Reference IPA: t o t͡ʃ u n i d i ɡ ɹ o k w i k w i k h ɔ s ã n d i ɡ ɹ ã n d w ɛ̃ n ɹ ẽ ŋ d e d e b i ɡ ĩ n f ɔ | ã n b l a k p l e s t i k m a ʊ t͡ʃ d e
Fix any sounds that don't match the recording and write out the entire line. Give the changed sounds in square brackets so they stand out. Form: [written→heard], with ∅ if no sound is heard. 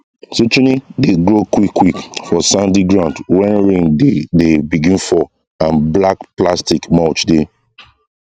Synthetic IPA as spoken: [t→s] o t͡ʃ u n i d [i→e] ɡ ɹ o k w i k w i k [h→f] ɔ s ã n d i ɡ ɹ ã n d w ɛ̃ n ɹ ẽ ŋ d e d e b i ɡ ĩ n f ɔ | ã n b l a k p l [e→a] s t i k m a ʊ t͡ʃ d e